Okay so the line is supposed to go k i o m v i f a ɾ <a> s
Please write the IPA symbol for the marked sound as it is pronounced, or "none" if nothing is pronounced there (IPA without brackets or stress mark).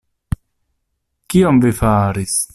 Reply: i